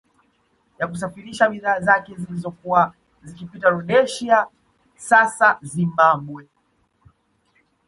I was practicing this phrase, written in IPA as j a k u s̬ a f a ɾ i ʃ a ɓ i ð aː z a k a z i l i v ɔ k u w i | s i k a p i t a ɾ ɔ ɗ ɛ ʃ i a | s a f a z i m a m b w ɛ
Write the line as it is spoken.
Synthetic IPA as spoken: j a k u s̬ a f i ɾ i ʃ a ɓ i ð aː z a k ɛ z i l i z ɔ k u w a | z i k i p i t a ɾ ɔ ɗ ɛ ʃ i a | s a s a z i m a m b w ɛ